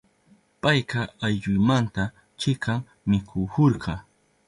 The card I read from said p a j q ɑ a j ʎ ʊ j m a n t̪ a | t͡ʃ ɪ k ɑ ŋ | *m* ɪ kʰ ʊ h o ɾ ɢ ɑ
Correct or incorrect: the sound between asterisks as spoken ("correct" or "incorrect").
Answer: correct